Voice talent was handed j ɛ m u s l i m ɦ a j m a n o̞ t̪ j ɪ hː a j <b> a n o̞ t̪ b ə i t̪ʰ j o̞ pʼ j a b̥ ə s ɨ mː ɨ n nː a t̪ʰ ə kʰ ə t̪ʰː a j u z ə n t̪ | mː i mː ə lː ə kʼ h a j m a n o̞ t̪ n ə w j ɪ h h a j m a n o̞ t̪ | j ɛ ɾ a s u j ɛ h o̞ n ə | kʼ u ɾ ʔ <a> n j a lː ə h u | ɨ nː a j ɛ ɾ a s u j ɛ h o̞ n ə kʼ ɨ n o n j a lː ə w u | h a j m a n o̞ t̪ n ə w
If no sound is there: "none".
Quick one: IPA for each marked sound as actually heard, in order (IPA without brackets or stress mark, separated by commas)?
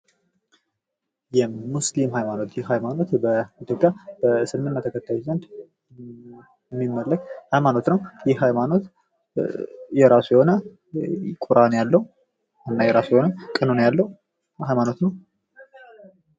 m, a